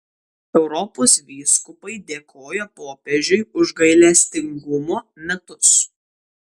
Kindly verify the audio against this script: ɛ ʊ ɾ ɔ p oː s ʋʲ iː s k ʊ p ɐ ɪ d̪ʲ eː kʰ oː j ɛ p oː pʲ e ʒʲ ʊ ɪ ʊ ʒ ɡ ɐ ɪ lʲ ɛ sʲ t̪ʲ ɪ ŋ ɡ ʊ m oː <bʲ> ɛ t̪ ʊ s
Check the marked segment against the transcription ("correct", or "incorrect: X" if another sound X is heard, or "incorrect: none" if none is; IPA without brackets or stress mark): incorrect: mʲ